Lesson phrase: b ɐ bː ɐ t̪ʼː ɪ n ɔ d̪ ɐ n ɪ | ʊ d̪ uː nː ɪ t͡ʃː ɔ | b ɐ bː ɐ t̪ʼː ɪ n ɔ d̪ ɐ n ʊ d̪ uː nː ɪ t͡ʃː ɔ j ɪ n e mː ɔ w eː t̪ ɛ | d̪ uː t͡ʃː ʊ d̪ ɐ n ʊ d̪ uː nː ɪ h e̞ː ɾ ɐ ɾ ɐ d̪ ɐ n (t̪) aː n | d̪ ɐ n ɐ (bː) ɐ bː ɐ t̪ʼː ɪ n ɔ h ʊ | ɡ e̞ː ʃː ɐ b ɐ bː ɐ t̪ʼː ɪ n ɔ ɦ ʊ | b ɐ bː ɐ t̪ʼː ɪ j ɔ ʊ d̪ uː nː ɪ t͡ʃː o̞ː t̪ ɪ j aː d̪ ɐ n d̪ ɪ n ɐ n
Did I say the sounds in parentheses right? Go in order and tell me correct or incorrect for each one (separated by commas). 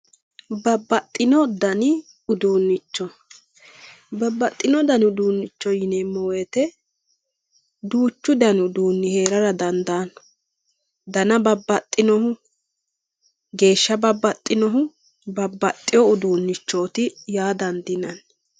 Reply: incorrect, incorrect